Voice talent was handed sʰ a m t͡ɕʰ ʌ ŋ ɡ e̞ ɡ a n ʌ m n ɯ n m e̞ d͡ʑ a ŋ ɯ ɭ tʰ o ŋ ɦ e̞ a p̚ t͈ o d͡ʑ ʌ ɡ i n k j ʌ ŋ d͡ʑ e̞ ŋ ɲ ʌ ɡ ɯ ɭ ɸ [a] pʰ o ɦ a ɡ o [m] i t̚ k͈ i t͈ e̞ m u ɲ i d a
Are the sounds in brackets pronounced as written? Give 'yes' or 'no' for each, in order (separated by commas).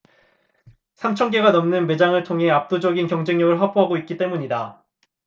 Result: yes, no